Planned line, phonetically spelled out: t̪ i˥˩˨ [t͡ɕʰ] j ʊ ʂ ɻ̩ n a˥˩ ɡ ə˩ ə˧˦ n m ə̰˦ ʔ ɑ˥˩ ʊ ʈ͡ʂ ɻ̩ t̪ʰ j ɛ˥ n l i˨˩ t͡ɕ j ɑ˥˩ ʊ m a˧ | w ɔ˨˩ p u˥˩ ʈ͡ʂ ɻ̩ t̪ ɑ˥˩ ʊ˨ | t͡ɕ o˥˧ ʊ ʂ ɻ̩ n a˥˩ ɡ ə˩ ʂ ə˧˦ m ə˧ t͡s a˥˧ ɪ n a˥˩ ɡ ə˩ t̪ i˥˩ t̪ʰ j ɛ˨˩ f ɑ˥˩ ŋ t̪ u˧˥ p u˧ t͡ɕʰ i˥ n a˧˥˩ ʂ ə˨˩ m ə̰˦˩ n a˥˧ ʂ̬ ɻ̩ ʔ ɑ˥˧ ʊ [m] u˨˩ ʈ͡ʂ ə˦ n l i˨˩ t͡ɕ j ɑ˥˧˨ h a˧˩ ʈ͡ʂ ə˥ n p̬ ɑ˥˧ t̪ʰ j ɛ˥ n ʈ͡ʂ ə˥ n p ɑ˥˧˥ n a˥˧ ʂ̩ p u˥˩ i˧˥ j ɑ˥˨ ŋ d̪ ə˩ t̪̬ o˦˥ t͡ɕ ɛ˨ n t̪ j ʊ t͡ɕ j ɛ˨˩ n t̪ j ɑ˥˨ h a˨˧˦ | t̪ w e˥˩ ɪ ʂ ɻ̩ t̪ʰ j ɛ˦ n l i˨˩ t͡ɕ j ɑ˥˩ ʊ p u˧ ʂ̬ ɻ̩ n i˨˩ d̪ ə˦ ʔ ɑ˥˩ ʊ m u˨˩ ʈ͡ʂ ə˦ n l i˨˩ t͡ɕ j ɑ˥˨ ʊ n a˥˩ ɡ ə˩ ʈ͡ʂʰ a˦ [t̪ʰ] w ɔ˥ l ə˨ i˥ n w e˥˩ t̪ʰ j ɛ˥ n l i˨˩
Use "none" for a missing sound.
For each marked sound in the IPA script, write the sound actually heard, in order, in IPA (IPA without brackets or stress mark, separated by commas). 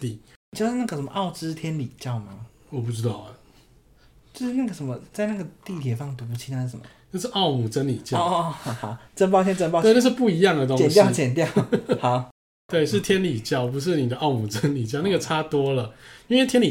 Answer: t͡ɕ, m, t̪